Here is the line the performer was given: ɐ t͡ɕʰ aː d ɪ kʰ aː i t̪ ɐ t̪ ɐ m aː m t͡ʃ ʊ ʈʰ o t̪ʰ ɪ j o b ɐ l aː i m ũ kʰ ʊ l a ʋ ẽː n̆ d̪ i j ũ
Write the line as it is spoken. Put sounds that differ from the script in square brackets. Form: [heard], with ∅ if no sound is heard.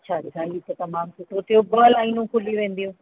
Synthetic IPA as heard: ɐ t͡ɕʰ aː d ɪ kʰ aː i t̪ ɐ t̪ ɐ m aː m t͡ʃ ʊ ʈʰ o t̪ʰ [i] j o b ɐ l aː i [n] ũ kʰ ʊ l [i] ʋ ẽː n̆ d̪ i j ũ